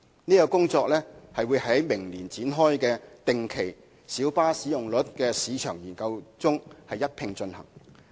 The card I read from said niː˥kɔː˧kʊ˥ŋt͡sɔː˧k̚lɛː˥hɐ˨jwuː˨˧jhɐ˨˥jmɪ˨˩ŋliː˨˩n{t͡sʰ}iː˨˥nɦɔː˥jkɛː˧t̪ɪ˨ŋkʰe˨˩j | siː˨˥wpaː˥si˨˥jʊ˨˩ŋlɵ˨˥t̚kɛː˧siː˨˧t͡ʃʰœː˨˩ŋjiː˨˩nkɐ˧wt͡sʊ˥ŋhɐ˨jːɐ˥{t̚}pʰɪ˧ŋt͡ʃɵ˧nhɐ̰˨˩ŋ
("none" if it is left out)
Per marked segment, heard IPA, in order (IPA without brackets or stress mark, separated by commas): t͡s, t̚